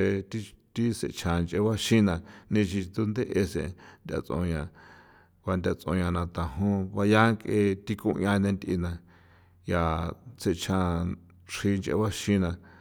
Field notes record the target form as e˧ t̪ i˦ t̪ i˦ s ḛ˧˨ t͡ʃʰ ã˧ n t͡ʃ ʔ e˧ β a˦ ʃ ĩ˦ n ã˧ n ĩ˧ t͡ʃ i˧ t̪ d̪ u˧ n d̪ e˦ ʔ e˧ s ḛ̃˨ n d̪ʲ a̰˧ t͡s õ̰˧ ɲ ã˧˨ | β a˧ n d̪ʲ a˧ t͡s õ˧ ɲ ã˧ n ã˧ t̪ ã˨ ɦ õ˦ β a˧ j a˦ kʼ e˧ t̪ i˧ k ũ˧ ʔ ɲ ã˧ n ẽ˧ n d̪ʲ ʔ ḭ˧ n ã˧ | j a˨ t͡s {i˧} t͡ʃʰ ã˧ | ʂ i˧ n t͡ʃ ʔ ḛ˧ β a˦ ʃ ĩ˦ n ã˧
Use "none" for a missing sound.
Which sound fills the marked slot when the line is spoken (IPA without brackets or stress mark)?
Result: e˧